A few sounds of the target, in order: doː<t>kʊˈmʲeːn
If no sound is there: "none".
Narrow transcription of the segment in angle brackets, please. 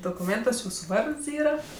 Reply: none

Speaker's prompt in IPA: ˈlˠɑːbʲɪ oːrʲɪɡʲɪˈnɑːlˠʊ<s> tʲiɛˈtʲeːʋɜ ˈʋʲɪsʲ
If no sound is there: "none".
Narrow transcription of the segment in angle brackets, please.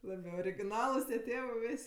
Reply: s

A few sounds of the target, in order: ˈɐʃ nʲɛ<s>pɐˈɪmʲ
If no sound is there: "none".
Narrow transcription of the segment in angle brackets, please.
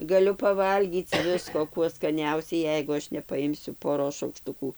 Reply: none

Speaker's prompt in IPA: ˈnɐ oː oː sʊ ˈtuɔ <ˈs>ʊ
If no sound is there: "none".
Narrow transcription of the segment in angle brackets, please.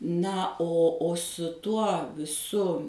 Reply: s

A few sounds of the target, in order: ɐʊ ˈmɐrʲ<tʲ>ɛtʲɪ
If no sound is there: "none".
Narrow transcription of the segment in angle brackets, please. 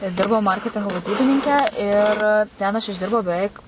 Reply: kʲ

